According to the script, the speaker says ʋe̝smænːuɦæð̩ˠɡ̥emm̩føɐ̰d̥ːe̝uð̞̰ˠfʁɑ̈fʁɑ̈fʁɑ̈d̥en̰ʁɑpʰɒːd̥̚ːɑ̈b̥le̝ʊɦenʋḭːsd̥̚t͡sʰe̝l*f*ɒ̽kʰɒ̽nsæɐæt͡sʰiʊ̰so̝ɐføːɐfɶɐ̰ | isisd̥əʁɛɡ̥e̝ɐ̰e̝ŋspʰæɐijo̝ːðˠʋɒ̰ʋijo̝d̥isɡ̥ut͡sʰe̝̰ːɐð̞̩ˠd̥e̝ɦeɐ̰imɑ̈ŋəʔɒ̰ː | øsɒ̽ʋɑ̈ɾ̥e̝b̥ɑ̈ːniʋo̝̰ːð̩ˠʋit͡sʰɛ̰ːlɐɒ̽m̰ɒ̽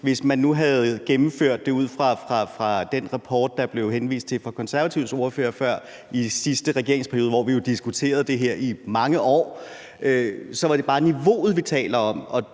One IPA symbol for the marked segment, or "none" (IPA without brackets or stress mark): f